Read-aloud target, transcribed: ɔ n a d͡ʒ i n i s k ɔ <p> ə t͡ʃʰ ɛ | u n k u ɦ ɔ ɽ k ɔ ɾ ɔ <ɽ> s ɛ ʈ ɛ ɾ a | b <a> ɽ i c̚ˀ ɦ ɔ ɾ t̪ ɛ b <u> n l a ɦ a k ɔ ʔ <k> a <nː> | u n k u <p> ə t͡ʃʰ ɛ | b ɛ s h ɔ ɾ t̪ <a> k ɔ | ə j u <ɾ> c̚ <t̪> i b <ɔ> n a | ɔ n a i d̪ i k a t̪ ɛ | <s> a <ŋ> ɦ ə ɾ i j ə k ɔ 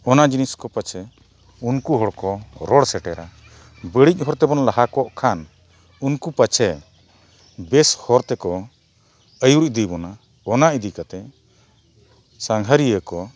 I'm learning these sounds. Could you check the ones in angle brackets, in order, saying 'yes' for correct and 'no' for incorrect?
yes, yes, no, no, no, no, yes, no, yes, no, yes, yes, yes

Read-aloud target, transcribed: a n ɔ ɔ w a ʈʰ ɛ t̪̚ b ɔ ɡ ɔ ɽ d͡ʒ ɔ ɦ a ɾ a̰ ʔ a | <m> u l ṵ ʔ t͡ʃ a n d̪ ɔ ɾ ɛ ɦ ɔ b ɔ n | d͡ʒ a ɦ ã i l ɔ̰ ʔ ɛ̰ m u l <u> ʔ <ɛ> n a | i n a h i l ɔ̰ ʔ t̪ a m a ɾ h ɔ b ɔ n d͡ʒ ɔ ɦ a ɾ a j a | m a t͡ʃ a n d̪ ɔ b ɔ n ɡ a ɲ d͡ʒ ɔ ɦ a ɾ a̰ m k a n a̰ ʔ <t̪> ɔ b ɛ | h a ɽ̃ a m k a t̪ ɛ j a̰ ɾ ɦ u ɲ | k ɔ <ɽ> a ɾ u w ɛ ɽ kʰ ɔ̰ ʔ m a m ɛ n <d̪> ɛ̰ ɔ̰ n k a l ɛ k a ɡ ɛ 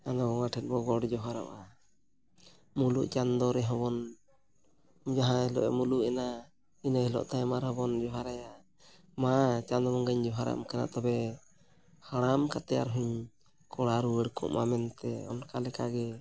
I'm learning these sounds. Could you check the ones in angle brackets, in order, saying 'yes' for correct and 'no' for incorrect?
yes, yes, yes, yes, yes, no

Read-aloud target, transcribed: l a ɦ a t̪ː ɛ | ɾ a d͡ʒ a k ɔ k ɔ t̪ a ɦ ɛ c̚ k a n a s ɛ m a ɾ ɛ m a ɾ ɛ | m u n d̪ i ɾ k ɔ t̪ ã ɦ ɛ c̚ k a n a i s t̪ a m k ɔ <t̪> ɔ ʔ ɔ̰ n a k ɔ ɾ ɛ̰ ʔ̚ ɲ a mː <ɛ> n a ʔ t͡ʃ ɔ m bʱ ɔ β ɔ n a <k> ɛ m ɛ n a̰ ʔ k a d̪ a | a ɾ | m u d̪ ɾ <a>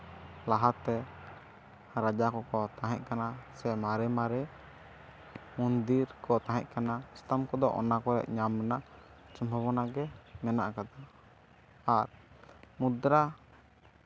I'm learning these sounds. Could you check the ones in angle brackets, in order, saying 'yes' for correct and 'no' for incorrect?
no, yes, no, yes

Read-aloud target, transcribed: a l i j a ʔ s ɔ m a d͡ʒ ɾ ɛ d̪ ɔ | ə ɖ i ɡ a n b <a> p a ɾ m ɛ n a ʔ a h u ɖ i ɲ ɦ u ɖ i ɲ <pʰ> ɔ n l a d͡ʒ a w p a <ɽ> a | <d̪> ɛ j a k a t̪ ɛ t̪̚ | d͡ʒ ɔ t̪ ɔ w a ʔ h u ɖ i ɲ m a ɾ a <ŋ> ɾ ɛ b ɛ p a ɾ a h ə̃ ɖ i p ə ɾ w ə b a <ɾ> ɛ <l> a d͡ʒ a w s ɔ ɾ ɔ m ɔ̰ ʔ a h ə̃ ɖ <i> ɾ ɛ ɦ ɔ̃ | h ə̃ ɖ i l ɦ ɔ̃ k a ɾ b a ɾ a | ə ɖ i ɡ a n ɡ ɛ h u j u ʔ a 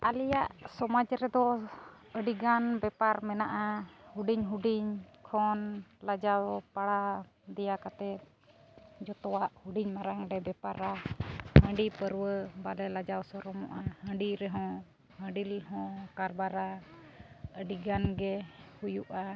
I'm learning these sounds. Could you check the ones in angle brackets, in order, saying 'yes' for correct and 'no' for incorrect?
no, no, yes, yes, yes, no, yes, yes

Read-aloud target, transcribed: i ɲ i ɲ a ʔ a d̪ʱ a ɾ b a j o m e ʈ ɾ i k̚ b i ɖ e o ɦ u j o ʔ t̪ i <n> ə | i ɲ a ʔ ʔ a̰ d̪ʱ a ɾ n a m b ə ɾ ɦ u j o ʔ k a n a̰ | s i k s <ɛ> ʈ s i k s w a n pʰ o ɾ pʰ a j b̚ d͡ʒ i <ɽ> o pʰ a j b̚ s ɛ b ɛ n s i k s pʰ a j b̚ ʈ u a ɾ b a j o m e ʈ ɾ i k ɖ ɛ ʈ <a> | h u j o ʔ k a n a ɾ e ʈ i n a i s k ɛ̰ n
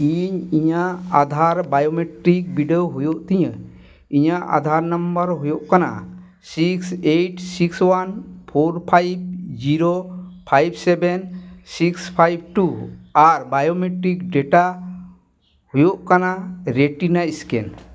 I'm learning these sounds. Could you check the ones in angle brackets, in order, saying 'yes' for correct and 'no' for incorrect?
no, no, no, yes

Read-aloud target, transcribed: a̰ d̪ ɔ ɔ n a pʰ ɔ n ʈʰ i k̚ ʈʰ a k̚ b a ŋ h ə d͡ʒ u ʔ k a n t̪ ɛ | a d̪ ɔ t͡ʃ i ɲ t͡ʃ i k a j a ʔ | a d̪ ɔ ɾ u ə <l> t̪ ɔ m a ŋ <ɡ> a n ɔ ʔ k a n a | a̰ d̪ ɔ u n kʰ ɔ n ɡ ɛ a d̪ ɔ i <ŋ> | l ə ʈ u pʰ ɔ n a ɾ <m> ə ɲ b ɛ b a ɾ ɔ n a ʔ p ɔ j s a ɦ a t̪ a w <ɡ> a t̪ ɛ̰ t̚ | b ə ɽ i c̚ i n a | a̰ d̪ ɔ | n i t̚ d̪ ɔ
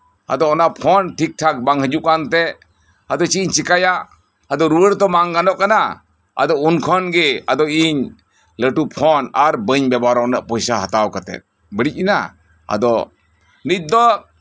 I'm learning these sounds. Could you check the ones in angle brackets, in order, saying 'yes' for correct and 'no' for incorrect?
no, yes, no, no, no

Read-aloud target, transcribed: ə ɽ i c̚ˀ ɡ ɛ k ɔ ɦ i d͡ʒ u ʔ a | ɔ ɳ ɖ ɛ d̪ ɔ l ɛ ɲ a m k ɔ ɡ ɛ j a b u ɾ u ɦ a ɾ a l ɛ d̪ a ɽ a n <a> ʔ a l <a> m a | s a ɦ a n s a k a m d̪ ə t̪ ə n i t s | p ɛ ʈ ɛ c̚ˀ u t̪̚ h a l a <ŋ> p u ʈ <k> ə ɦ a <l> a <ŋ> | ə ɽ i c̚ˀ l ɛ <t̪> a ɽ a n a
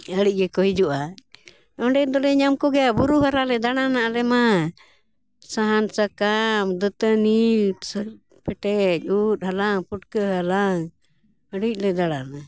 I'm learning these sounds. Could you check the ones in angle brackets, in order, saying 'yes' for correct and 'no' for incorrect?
yes, no, yes, yes, yes, yes, no

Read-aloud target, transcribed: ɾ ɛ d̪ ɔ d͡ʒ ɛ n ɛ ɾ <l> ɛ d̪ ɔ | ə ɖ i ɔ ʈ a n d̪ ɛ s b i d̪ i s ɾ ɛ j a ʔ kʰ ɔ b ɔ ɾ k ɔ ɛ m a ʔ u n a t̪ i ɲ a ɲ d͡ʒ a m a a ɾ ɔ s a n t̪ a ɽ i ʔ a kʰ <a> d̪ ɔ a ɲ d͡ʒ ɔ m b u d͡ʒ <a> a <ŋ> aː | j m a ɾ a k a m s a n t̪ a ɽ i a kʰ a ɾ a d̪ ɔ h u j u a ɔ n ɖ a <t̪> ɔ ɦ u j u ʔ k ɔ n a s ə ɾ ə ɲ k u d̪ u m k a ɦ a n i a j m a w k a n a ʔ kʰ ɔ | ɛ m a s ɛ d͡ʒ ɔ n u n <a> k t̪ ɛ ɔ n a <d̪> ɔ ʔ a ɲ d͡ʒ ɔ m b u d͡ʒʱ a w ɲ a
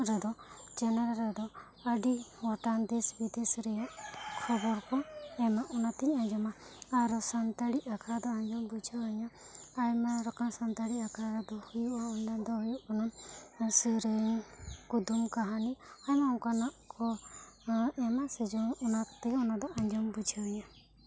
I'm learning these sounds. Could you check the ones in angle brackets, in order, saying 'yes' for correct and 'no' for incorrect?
no, yes, yes, no, no, yes, yes

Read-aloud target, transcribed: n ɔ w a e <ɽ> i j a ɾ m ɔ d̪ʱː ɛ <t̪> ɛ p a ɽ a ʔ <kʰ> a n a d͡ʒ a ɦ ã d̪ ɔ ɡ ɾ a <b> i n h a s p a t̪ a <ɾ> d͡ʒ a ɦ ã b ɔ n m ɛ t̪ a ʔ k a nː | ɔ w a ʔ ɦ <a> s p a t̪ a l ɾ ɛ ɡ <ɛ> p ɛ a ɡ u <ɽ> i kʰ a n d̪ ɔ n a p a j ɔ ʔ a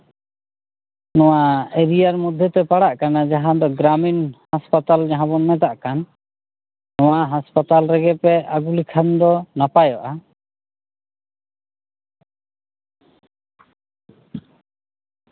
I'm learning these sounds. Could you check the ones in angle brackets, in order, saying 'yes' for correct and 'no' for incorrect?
no, yes, no, no, no, yes, yes, no

